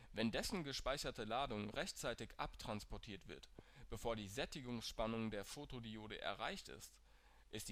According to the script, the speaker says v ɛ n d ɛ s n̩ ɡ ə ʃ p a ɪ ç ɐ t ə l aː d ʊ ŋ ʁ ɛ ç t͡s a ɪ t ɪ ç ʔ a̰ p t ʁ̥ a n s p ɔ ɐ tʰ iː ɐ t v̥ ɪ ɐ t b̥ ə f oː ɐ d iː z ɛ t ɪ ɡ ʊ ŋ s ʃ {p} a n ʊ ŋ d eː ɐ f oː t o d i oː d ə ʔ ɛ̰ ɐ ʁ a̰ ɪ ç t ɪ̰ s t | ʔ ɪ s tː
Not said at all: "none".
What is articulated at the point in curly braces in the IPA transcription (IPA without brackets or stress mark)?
p